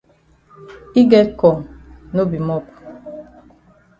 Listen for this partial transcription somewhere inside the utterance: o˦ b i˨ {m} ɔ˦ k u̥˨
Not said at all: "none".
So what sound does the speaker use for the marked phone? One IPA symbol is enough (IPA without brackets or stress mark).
m